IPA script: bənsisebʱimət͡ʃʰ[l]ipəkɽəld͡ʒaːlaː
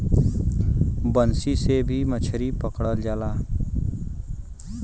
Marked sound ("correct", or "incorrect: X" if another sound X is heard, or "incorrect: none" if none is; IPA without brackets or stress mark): incorrect: ɾ